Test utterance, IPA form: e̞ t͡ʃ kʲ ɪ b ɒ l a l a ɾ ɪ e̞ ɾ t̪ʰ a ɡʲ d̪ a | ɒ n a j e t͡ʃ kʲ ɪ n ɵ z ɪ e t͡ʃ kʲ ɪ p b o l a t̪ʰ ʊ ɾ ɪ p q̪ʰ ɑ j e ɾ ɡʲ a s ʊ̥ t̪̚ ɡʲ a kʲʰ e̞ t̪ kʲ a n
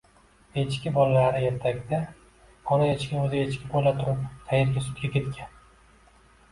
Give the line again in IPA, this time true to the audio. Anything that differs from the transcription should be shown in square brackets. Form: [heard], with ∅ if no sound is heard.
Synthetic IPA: e̞ t͡ʃ kʲ ɪ b ɒ l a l a ɾ ɪ e̞ ɾ t̪ʰ a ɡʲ d̪ a | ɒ n a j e t͡ʃ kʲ ɪ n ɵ z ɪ e t͡ʃ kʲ ɪ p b o l a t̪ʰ ʊ ɾ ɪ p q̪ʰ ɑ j e ɾ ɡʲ a s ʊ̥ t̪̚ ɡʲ a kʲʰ e̞ t̪ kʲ a n